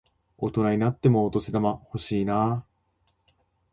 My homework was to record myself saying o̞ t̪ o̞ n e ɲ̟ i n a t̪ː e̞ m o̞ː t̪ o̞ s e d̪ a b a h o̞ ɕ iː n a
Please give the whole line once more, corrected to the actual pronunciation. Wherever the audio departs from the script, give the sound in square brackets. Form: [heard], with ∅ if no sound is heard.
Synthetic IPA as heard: o̞ t̪ o̞ n [a] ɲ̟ i n a t̪ː e̞ m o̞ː t̪ o̞ s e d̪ a [m] a h o̞ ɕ iː n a